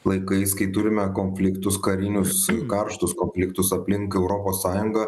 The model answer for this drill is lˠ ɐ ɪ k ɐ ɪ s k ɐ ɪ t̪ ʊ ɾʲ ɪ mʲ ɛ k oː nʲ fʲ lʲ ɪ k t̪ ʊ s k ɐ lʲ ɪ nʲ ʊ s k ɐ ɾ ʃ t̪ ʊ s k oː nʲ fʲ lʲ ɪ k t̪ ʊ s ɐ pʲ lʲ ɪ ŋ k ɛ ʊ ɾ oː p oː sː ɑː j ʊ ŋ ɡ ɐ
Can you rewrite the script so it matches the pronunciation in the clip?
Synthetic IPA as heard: lˠ ɐ ɪ k ɐ ɪ s k ɐ ɪ t̪ ʊ ɾʲ ɪ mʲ ɛ k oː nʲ fʲ lʲ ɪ k t̪ ʊ s k ɐ ɾʲ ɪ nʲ ʊ s k ɐ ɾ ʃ t̪ ʊ s k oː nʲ fʲ lʲ ɪ k t̪ ʊ s ɐ pʲ lʲ ɪ ŋ k ɛ ʊ ɾ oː p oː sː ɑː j ʊ ŋ ɡ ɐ